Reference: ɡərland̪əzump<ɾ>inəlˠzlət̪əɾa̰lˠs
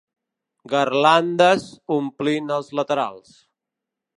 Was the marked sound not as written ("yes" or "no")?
yes